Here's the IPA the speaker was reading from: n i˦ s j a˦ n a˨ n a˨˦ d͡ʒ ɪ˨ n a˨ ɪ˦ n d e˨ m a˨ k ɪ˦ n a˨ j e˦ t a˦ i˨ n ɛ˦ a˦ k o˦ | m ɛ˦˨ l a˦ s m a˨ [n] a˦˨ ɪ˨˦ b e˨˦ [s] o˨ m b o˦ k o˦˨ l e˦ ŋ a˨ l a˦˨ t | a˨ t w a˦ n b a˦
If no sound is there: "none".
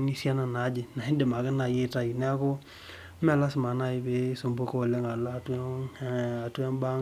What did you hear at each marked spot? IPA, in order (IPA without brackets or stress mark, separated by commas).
n, s